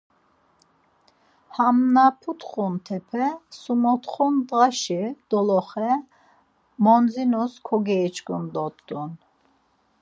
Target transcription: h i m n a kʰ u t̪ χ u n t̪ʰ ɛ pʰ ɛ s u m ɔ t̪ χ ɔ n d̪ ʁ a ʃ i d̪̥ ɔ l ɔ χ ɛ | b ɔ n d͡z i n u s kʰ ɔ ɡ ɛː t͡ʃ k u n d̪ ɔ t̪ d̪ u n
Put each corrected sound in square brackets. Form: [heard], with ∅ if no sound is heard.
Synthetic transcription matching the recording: h [a] m n a [pʰ] u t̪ χ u n t̪ʰ ɛ pʰ ɛ s u m ɔ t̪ χ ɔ n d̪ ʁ a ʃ i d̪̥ ɔ l ɔ χ ɛ | [m] ɔ n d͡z i n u s kʰ ɔ ɡ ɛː t͡ʃ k u n d̪ ɔ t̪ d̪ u n